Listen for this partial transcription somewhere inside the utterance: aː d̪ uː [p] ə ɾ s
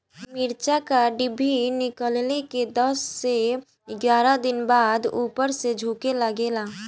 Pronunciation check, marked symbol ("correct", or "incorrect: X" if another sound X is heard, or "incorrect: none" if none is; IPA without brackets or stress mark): correct